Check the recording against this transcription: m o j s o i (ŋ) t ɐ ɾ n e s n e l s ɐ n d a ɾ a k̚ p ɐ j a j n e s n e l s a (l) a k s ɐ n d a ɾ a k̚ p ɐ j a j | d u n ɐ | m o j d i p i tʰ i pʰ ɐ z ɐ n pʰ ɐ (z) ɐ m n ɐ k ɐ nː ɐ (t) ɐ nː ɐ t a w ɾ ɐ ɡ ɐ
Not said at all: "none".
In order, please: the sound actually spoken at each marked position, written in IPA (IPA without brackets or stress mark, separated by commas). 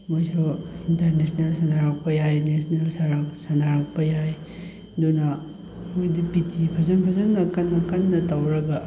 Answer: n, ɾ, z, k